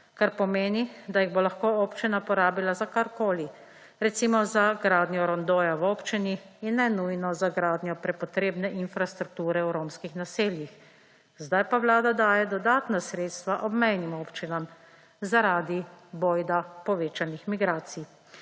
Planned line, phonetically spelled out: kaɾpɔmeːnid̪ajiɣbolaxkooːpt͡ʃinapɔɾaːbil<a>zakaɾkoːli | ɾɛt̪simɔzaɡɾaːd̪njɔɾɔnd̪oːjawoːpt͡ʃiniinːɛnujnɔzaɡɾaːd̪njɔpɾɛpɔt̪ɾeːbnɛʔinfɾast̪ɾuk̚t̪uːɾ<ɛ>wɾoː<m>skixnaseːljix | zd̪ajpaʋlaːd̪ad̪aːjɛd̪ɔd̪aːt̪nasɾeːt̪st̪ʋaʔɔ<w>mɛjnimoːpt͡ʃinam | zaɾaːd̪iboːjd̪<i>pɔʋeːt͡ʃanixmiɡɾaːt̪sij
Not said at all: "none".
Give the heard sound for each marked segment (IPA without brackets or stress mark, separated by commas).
a, ɛ, m, b, a